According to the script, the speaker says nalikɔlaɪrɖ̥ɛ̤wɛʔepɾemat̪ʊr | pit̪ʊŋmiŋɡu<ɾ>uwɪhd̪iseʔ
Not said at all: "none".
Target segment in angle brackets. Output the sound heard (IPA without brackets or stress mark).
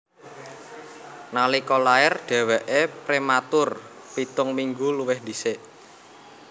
l